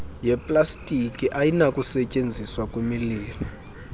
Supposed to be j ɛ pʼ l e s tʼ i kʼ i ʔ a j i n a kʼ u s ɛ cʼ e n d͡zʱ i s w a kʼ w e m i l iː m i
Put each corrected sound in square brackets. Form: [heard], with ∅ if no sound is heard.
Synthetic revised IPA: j ɛ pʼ l [a] s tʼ i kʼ i ʔ a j i n a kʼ u s ɛ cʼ e n d͡zʱ i s w a kʼ w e m i l iː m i